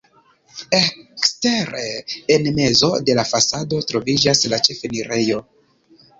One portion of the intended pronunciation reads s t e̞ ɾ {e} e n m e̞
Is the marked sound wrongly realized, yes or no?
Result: no